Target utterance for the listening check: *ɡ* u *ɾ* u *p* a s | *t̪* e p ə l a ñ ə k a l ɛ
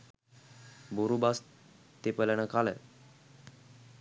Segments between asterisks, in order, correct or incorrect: incorrect, correct, incorrect, correct

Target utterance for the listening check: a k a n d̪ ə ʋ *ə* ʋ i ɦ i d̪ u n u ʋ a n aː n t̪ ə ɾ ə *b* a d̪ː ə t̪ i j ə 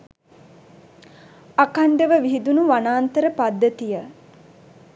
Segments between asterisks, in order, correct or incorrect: correct, incorrect

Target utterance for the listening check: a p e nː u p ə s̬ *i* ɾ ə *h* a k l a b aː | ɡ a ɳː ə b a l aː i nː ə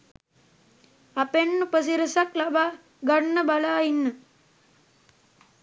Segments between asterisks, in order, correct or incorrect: correct, incorrect

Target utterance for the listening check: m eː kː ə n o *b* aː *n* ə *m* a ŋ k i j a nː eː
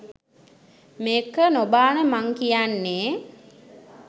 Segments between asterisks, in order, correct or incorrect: correct, correct, correct

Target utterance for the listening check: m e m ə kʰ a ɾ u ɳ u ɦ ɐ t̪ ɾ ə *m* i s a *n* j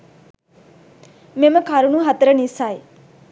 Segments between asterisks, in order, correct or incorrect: incorrect, incorrect

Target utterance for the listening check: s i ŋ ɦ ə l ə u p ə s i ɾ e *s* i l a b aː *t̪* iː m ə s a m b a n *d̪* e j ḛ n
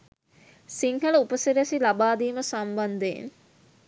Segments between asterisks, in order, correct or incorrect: correct, incorrect, correct

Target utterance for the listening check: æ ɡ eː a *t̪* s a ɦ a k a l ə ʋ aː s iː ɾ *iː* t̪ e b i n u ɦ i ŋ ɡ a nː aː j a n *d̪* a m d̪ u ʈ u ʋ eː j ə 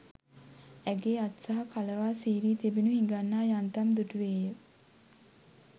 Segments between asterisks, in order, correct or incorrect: correct, correct, incorrect

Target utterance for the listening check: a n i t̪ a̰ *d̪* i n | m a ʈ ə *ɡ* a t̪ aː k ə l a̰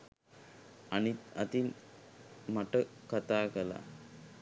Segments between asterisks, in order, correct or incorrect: incorrect, incorrect

